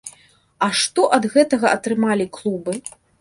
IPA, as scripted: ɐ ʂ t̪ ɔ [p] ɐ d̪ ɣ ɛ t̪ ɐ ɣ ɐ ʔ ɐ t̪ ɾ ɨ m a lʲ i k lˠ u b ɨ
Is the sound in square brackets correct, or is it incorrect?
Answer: incorrect